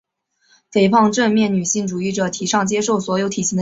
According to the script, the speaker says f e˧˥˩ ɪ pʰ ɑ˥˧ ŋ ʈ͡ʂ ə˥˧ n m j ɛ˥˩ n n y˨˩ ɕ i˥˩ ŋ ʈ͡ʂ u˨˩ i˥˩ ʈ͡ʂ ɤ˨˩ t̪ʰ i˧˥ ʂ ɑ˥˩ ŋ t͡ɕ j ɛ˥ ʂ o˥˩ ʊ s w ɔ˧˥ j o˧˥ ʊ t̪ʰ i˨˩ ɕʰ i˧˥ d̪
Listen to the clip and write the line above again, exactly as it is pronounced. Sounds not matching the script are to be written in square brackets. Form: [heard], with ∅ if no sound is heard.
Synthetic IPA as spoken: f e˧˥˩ ɪ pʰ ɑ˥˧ ŋ ʈ͡ʂ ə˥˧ n m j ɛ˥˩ n n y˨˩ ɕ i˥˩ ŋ ʈ͡ʂ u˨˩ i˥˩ ʈ͡ʂ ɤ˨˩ t̪ʰ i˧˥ ʂ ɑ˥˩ ŋ t͡ɕ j ɛ˥ ʂ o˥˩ ʊ s w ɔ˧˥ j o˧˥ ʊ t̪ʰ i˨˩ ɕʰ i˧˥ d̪